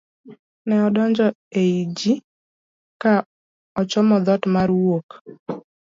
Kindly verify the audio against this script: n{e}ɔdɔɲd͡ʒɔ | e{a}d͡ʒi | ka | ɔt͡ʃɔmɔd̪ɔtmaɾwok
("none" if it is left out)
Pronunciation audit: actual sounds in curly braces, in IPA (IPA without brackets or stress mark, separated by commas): ɛ, i